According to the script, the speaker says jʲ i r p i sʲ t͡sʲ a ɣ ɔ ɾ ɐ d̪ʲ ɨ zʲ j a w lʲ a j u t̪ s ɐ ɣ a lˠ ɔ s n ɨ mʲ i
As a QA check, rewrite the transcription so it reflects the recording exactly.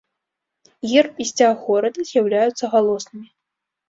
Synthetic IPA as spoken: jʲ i r p i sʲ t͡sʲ a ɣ ɔ ɾ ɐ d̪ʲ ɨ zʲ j a w lʲ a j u t̪ s ɐ ɣ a lˠ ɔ s n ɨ mʲ i